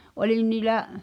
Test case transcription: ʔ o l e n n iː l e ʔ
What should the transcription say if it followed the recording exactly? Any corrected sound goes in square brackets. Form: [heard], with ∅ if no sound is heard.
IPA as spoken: ʔ o l [i] n n iː l [æ] ʔ